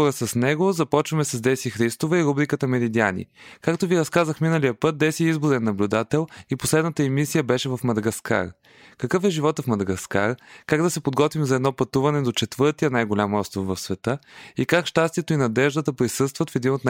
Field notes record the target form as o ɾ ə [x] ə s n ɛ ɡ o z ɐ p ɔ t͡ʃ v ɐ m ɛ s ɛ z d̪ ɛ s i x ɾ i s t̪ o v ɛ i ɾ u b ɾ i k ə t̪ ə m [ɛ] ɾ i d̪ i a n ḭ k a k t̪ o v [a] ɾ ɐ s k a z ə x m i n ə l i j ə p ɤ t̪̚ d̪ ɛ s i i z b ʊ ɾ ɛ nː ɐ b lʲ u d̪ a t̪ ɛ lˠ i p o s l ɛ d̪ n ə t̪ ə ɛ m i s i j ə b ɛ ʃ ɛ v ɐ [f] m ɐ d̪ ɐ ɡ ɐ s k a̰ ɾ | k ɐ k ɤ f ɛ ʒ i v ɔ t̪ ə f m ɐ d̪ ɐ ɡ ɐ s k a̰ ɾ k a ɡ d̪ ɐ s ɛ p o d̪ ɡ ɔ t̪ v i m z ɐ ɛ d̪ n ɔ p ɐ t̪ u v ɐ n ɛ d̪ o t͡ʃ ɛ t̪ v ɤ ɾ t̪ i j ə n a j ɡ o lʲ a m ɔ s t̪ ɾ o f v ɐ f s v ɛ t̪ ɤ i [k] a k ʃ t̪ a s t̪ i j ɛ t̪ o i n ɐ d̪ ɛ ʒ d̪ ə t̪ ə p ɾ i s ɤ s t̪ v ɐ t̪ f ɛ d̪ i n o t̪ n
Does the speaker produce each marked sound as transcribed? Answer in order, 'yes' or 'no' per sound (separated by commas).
no, yes, no, yes, yes